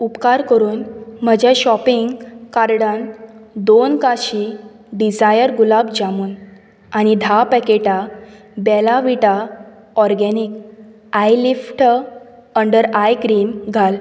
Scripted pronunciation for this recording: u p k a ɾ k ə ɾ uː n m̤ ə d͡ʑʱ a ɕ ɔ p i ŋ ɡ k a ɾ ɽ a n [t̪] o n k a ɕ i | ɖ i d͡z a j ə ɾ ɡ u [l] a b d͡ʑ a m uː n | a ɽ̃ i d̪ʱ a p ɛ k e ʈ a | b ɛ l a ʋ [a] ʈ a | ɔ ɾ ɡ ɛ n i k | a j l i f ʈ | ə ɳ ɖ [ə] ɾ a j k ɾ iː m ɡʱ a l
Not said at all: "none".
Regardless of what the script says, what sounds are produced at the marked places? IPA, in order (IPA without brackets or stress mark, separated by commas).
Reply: d̪, l, i, ə